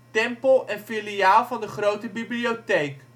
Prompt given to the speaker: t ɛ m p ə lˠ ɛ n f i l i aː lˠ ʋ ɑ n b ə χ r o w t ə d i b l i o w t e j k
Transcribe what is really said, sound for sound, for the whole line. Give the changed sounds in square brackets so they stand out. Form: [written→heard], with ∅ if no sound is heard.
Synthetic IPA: t ɛ m p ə lˠ ɛ n f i l i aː lˠ [ʋ→v] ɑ n [b→d] ə χ r o w t ə [d→b] i b l i o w t e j k